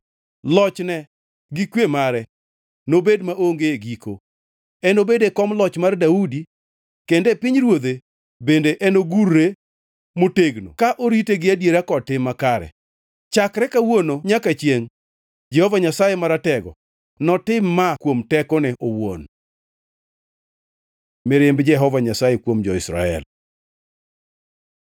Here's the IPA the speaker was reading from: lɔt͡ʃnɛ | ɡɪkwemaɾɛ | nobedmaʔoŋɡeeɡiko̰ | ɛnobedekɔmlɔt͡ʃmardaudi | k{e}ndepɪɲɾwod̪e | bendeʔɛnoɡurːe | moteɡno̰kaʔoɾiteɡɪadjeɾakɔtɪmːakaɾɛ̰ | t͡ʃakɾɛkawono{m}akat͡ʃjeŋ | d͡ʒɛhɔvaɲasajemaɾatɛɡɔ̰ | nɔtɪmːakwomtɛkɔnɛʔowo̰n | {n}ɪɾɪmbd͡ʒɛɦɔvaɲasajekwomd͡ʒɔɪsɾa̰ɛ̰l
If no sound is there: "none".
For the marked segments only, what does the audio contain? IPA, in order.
e, ɲ, m

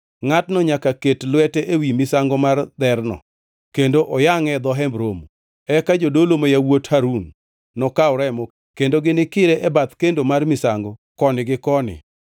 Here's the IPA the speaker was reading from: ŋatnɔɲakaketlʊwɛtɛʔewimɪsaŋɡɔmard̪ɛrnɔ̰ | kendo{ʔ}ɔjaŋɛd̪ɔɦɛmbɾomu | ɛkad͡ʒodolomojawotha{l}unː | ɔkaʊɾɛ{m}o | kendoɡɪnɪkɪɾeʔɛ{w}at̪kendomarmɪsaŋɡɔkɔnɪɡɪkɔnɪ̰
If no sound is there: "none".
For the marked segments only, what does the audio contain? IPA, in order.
ʔ, ɾ, m, b

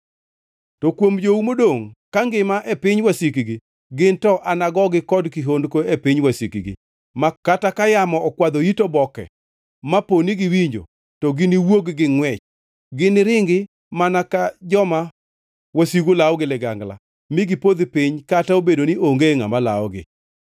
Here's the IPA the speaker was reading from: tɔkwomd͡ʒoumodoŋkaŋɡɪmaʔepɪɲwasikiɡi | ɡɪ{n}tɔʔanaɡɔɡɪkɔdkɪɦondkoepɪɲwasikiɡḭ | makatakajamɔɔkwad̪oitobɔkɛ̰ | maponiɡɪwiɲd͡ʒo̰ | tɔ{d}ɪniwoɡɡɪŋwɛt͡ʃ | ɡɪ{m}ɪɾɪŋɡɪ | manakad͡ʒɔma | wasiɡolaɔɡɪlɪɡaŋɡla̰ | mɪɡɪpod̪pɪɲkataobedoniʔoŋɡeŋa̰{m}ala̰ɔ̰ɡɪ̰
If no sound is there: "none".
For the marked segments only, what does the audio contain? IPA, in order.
n, ɡ, n, m

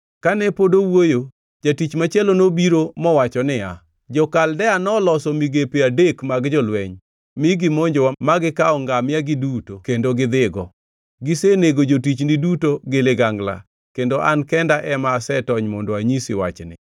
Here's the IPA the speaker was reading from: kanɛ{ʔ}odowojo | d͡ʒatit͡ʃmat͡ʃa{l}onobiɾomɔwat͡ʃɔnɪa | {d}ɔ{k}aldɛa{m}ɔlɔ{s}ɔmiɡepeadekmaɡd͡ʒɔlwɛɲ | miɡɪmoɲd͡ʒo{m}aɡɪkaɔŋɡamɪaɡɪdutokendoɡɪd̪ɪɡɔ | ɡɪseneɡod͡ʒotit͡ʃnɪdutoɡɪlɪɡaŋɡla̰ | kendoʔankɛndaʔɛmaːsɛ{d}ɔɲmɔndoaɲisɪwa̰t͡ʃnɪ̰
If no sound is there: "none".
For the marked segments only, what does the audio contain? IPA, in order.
p, l, d͡ʒ, k, n, s, m, t

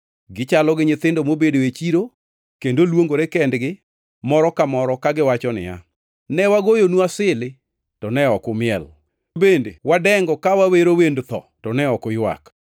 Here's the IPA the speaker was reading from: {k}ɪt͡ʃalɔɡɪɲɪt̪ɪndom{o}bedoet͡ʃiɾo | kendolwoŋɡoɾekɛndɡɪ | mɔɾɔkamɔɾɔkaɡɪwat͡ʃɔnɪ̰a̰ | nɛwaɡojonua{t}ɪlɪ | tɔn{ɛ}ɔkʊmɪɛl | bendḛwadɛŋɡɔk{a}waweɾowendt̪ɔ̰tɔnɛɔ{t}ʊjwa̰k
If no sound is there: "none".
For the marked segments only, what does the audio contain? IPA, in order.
ɡ, o, s, ɛ, a, k

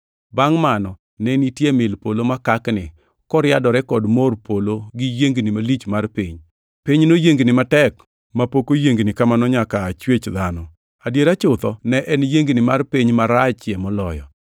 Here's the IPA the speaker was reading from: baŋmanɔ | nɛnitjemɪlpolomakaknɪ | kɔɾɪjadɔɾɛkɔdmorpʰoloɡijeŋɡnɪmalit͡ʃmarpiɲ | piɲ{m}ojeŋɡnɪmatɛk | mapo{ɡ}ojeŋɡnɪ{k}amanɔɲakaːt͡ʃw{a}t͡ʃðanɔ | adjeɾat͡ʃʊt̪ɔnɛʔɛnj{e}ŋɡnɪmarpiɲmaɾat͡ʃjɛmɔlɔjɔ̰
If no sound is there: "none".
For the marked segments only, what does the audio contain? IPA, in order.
n, k, k, e, e

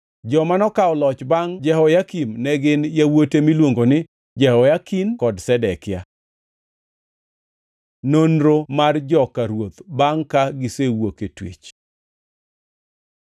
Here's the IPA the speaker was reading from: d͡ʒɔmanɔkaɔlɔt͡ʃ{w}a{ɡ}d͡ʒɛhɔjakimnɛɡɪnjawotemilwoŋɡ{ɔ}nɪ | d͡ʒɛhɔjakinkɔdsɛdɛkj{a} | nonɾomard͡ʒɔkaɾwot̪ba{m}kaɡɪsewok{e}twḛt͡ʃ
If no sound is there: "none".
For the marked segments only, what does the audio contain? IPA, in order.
b, ŋ, o, a, ŋ, e

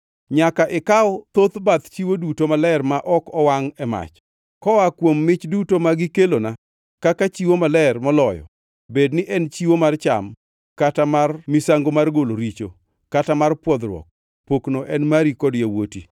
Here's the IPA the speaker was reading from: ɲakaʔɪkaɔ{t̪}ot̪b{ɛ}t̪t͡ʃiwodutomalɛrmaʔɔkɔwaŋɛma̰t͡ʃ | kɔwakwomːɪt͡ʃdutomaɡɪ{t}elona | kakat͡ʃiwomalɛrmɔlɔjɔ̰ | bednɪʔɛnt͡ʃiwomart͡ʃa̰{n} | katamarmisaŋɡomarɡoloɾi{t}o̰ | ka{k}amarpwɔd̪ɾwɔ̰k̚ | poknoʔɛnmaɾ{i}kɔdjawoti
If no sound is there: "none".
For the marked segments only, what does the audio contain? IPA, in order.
t̪, a, k, m, t͡ʃ, t, i

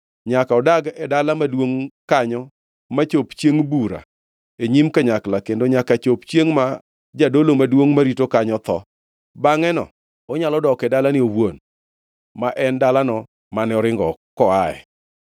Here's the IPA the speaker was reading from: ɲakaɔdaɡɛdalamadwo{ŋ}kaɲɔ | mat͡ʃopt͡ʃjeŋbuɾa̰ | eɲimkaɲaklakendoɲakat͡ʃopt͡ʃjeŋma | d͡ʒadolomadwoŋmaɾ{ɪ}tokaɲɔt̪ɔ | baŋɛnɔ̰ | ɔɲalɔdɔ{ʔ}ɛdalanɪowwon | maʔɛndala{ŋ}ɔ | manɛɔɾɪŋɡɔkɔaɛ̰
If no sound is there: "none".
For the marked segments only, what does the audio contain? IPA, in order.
ŋ, i, k, n

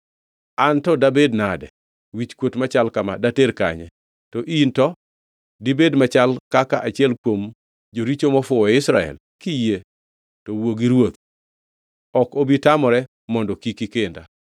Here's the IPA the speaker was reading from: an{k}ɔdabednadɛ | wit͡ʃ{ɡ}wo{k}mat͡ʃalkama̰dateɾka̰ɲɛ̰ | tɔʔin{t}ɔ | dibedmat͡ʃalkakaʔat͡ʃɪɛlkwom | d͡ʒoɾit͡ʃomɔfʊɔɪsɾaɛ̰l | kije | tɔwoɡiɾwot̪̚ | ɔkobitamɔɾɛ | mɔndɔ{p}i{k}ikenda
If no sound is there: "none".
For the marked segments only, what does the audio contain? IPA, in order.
t, k, t, t, k, k

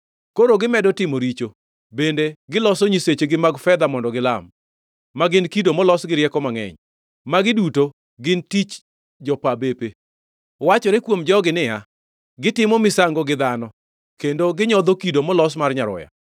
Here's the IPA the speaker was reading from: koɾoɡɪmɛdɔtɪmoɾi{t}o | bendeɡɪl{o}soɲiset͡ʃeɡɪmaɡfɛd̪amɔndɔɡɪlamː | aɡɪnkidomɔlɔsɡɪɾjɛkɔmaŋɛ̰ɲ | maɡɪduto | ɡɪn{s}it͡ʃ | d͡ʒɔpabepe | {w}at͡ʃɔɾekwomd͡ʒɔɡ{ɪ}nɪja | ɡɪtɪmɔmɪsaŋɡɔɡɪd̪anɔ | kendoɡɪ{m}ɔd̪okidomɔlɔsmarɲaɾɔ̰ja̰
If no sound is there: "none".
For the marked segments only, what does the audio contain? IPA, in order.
t͡ʃ, ɔ, t, w, ɪ, ɲ

